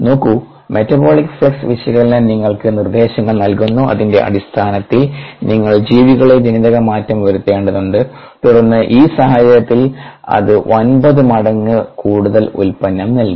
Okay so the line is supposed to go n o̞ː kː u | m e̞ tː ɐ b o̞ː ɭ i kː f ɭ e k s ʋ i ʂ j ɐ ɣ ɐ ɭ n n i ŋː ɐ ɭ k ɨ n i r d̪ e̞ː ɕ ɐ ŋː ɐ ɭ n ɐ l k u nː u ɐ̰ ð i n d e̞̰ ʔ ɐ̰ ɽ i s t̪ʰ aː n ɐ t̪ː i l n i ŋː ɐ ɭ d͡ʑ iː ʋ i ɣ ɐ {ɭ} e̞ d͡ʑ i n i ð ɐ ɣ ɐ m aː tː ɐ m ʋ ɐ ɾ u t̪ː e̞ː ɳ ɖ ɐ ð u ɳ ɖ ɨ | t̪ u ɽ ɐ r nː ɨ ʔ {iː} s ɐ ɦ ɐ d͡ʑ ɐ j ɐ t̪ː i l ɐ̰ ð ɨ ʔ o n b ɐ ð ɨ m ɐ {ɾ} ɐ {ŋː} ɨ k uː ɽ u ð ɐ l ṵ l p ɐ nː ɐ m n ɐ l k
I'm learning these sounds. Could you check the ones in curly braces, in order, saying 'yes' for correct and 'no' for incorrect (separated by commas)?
yes, yes, no, yes